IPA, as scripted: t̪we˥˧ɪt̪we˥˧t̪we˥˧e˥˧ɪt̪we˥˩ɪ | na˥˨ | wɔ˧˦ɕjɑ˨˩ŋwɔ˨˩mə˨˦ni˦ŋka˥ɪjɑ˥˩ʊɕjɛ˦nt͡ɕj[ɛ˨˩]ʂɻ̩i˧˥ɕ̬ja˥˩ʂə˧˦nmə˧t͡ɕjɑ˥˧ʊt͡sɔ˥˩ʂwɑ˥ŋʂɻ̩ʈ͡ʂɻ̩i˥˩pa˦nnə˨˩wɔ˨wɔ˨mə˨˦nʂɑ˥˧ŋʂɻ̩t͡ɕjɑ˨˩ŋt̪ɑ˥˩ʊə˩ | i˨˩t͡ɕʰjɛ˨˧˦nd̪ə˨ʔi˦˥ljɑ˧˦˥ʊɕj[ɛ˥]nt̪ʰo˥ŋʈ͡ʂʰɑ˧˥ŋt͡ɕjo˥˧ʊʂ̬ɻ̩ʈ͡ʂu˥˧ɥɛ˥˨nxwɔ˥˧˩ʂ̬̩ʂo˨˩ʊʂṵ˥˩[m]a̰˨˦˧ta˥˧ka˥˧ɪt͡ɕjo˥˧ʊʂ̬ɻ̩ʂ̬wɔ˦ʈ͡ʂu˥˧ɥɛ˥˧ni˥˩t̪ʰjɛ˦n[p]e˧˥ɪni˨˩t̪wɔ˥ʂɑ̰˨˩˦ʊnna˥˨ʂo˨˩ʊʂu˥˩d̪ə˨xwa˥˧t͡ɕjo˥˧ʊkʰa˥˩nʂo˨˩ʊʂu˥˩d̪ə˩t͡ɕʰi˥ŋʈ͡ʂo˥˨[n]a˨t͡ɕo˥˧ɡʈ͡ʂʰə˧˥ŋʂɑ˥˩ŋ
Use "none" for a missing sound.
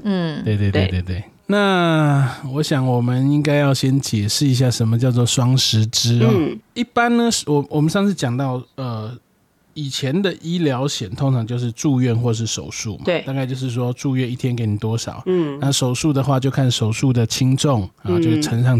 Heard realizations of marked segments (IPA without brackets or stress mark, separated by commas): ɛ˨˩, ɛ˨˩, m, k, ŋ